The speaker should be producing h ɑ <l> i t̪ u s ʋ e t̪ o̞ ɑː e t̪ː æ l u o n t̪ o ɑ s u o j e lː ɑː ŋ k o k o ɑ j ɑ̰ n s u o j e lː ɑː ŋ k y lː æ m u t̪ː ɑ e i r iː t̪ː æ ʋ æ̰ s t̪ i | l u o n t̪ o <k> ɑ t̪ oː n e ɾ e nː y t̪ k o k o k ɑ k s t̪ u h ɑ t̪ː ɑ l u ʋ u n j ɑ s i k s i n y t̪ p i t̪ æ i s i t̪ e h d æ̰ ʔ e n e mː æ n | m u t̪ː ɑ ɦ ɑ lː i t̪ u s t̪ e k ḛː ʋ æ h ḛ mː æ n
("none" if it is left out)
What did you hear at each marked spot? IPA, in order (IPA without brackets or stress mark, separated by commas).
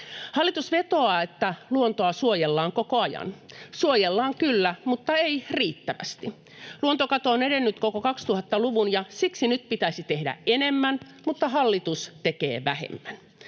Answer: lː, k